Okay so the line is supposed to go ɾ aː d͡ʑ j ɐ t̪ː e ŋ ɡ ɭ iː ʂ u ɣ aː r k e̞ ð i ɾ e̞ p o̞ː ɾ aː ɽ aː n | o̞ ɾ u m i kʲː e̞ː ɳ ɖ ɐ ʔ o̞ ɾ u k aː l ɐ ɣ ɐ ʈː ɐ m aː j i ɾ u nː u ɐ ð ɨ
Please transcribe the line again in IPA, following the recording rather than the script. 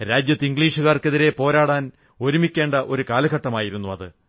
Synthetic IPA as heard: ɾ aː d͡ʑ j ɐ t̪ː i ŋ ɡ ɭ iː ʂ u ɣ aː r k e̞ ð i ɾ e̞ p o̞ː ɾ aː ɽ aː n | o̞ ɾ u m i kʲː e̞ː ɳ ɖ ɐ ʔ o̞ ɾ u k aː l ɐ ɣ ɐ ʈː ɐ m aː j i ɾ u nː u ɐ ð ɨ

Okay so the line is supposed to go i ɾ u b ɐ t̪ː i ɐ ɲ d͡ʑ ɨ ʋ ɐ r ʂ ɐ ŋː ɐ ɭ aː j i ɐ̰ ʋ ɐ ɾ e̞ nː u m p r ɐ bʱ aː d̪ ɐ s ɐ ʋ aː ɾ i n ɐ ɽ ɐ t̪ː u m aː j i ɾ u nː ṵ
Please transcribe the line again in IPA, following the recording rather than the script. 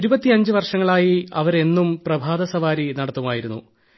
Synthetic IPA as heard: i ɾ u b ɐ t̪ː i ɐ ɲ d͡ʑ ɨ ʋ ɐ r ʂ ɐ ŋː ɐ ɭ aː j i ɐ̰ ʋ ɐ ɾ e̞ nː u m p r ɐ bʱ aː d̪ ɐ s ɐ ʋ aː ɾ i n ɐ ɽ ɐ t̪ː u m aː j i ɾ u nː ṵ

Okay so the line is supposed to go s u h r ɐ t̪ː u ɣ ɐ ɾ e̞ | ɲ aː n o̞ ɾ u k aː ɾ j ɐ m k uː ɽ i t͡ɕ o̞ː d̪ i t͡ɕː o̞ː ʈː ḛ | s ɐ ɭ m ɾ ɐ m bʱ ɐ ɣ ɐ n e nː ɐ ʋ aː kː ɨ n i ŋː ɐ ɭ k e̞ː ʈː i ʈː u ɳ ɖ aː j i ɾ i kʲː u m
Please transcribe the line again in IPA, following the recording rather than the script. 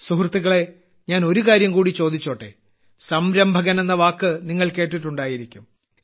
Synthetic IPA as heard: s u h r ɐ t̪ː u ɣ ɐ ɭ e̞ | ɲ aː n o̞ ɾ u k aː ɾ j ɐ m k uː ɽ i t͡ɕ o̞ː d̪ i t͡ɕː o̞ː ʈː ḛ | s ɐ m ɾ ɐ m bʱ ɐ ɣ ɐ n e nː ɐ ʋ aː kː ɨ n i ŋː ɐ ɭ k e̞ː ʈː i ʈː u ɳ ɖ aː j i ɾ i kʲː u m

